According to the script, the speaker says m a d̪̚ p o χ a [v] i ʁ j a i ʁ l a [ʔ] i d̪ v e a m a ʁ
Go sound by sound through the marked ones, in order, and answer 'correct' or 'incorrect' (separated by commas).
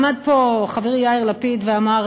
correct, incorrect